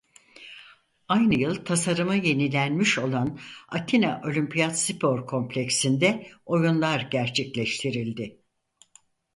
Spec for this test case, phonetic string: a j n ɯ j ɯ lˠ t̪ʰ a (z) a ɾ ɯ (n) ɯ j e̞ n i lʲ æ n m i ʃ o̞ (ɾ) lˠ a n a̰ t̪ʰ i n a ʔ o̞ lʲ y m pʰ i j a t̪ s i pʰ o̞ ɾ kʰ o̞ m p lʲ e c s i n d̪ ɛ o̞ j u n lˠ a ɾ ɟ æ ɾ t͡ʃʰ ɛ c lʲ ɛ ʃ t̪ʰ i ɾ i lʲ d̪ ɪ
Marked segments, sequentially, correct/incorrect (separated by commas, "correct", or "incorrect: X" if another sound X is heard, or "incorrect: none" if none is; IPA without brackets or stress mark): incorrect: s, incorrect: m, incorrect: none